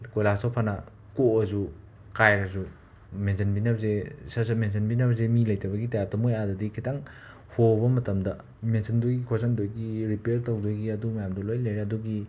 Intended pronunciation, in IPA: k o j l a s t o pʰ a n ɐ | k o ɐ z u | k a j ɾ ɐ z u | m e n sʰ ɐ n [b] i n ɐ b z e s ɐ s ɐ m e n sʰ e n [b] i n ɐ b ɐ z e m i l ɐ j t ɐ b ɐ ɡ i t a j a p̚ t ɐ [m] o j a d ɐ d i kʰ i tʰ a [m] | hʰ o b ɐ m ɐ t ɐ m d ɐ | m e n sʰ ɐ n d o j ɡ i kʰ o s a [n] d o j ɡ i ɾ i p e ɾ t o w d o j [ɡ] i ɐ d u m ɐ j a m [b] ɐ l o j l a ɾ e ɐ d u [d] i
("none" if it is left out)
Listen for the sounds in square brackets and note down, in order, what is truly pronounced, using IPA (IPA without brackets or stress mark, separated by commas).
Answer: b, b, m, ŋ, n, ɡ, d, ɡ